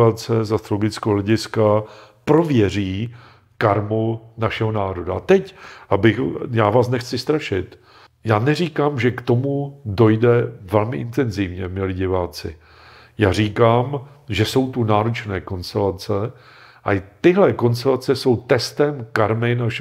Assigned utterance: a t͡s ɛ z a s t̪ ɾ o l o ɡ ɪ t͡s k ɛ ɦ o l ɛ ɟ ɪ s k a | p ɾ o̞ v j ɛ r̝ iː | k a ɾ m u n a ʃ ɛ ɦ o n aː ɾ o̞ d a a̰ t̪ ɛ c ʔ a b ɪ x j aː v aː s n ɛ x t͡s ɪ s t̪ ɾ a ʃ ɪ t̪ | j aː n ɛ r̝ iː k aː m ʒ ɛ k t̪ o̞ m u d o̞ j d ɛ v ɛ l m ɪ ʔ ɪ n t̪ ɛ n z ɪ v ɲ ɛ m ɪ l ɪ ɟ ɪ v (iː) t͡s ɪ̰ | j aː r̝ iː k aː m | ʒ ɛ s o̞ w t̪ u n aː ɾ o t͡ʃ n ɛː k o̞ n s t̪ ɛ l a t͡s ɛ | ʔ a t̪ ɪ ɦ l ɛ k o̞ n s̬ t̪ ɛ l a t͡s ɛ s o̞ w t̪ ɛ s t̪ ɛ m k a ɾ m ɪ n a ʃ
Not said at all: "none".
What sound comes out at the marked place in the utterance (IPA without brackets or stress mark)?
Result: aː